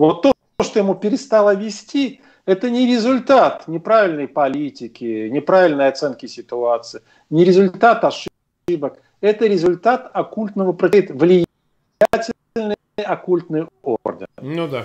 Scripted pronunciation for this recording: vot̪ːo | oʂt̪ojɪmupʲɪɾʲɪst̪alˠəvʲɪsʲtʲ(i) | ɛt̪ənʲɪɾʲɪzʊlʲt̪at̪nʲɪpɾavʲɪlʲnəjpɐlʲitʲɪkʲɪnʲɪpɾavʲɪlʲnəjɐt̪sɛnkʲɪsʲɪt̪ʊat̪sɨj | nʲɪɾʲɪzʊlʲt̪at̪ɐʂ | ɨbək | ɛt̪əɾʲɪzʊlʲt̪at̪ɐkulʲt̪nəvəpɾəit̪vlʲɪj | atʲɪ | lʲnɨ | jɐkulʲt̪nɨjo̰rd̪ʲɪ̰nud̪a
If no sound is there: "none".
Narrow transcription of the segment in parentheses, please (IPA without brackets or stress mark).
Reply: i